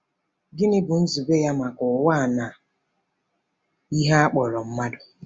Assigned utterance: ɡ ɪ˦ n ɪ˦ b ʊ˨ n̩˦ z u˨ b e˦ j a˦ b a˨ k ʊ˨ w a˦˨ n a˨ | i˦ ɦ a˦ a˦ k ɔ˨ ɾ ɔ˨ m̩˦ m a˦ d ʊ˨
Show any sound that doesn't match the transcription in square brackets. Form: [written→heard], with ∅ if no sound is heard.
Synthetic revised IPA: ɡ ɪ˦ n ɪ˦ b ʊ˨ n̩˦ z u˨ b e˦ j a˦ [b→m] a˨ k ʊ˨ w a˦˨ n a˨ | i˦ ɦ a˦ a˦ [k→k͡p] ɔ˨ ɾ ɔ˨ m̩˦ m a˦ d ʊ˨